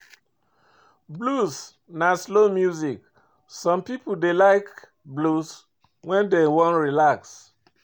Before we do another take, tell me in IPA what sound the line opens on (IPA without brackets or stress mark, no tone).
b